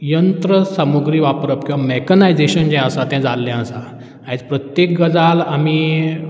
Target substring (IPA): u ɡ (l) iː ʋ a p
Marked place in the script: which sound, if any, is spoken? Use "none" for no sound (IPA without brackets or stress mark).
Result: ɾ